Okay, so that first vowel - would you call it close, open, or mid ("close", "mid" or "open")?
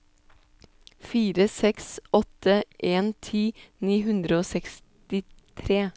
close